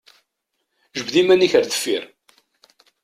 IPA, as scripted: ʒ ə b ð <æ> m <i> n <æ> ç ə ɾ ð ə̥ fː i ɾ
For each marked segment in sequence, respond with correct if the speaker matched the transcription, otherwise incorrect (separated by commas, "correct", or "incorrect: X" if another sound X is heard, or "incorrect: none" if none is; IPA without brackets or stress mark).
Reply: incorrect: i, incorrect: æ, incorrect: i